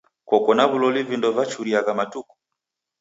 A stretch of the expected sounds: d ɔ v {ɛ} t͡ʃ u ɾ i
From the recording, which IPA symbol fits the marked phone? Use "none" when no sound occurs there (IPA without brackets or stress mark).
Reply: a